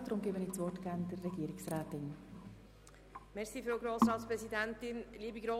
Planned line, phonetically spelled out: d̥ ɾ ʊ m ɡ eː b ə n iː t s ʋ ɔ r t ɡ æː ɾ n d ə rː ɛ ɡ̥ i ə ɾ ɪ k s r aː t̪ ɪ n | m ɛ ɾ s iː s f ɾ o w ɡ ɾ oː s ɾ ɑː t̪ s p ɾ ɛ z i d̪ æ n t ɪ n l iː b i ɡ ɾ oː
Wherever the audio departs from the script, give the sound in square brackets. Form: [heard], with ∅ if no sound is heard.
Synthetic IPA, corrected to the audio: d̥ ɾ ʊ m ɡ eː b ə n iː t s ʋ ɔ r t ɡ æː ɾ n d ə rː ɛ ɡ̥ i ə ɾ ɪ k s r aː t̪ ɪ n | m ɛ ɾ s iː [∅] f ɾ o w ɡ ɾ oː s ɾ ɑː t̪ s p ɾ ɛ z i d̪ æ n t ɪ n l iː b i ɡ ɾ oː

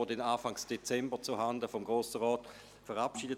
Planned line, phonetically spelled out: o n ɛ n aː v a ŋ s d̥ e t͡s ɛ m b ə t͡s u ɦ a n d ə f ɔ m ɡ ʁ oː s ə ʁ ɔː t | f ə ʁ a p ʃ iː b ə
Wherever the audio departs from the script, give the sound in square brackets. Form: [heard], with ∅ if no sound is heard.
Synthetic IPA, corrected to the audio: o [d] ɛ n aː [f] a ŋ s d̥ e t͡s ɛ m b ə t͡s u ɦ a n d ə f ɔ m ɡ ʁ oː s ə ʁ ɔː t | f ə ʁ a p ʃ iː [d] ə

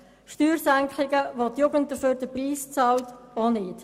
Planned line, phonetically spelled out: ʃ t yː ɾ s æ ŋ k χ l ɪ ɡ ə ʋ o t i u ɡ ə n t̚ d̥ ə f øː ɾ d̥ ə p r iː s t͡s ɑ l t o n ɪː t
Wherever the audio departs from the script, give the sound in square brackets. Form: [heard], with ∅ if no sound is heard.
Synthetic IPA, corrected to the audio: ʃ t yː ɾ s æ ŋ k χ l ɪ ɡ ə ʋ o t [j] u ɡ ə n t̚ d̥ ə f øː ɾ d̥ ə p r iː s t͡s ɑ l t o n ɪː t

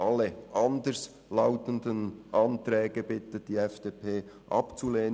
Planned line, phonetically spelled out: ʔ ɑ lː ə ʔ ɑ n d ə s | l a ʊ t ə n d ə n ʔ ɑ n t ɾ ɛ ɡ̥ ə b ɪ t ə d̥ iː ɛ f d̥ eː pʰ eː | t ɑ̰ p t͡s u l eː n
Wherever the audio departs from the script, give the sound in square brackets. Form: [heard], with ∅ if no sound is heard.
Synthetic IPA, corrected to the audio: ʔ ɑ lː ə ʔ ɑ n d ə s | l a ʊ t ə n d ə n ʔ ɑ n t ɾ [ɛː] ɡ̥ ə b ɪ t ə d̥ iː ɛ f d̥ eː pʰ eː | [ʔ] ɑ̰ p t͡s u l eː n

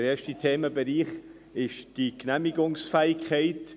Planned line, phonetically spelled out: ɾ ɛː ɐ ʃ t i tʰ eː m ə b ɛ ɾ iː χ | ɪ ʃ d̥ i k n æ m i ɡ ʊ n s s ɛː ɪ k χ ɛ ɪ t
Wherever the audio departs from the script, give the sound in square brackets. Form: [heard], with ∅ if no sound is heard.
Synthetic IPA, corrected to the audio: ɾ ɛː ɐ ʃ t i tʰ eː m ə b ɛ ɾ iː χ | ɪ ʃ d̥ i k n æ m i ɡ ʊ [ŋ] s [f] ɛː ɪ k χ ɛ ɪ t

